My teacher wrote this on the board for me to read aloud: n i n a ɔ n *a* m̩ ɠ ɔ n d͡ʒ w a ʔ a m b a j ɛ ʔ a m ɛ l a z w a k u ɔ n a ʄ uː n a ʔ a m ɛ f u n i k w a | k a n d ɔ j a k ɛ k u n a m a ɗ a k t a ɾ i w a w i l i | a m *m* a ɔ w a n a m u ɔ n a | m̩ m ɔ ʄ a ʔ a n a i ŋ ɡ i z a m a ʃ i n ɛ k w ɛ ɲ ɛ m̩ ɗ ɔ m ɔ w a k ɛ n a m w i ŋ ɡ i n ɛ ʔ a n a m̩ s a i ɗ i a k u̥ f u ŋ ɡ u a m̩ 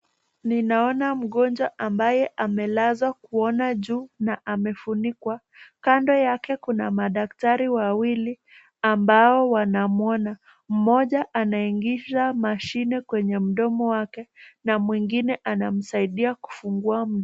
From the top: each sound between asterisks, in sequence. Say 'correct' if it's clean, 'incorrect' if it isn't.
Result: correct, incorrect

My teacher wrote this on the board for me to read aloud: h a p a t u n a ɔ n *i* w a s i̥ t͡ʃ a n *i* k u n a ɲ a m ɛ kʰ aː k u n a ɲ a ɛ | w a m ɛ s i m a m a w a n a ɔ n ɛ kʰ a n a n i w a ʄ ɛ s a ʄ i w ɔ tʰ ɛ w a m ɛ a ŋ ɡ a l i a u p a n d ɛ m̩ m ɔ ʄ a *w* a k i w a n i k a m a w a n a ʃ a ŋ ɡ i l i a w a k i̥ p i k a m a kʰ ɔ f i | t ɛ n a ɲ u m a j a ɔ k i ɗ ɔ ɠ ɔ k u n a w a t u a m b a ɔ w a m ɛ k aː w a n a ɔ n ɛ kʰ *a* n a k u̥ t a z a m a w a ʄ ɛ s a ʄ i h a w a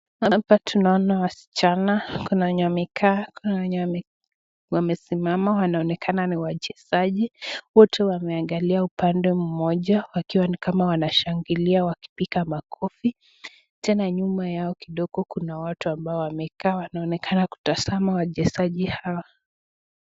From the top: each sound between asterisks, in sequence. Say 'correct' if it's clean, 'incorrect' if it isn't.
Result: incorrect, incorrect, correct, correct

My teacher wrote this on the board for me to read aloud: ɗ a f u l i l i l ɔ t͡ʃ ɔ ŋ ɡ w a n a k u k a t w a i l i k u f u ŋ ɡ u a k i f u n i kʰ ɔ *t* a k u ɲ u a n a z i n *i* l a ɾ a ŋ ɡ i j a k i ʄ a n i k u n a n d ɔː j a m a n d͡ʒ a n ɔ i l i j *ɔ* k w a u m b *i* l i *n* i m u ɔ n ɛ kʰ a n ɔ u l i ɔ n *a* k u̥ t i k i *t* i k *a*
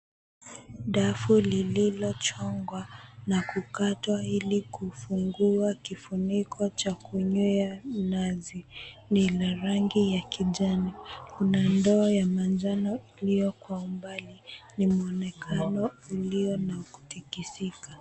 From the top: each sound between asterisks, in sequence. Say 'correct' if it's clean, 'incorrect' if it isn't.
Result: incorrect, correct, correct, incorrect, correct, correct, incorrect, correct

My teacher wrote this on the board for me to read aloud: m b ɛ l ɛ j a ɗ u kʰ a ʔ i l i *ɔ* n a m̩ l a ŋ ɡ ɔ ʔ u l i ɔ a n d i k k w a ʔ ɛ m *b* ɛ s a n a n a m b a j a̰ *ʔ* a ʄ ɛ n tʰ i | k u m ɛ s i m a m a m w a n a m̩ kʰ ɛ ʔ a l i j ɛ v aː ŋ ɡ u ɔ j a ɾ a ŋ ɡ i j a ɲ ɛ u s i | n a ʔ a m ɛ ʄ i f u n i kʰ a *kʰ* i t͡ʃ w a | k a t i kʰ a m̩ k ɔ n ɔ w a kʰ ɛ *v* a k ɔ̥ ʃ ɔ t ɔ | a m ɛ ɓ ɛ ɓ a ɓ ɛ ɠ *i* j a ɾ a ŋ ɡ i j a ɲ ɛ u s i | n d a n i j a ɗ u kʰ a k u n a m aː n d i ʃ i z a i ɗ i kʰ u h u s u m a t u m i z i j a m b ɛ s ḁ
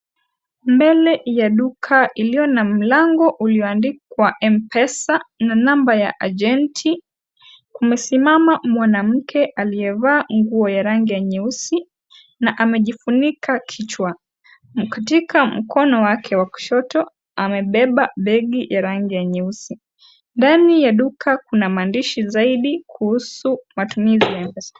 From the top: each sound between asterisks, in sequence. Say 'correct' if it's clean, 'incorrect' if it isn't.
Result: correct, incorrect, correct, correct, incorrect, correct

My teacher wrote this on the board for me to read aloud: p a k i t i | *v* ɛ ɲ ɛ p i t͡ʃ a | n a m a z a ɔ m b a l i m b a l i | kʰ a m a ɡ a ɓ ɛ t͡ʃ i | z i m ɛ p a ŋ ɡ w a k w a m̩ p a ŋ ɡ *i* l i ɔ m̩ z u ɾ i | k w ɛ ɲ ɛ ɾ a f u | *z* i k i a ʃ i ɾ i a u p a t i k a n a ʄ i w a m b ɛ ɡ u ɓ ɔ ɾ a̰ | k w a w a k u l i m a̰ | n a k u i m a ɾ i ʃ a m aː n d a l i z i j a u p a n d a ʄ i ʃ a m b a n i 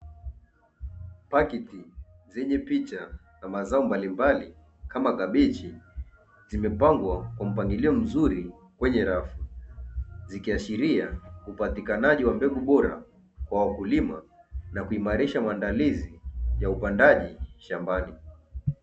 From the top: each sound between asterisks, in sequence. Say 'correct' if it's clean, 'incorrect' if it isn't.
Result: incorrect, correct, correct

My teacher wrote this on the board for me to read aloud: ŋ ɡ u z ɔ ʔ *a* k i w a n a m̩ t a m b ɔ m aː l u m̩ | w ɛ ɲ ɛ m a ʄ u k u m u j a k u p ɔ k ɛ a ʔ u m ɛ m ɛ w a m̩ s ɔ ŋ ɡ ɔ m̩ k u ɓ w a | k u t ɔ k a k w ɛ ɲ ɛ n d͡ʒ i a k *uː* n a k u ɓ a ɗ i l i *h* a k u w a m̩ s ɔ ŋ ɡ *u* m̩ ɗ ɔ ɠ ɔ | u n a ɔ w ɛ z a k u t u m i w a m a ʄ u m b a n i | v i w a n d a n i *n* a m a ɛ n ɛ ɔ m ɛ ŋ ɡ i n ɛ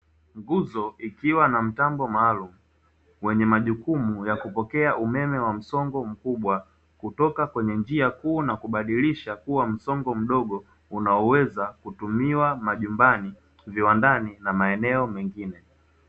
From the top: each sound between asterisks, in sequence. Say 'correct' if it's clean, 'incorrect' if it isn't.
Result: incorrect, correct, incorrect, incorrect, correct

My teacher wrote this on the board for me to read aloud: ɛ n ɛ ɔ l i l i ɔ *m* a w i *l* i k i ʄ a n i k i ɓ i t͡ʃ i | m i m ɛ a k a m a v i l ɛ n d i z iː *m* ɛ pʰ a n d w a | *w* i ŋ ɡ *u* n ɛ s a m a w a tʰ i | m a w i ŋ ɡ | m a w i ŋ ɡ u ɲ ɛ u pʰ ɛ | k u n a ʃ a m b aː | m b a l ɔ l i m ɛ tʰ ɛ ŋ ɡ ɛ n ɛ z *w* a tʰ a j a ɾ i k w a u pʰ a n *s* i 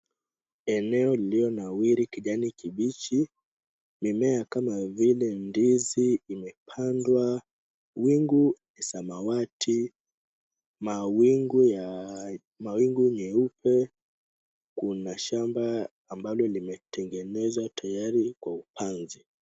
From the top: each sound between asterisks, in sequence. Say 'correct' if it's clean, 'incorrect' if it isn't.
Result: incorrect, incorrect, correct, correct, correct, correct, incorrect

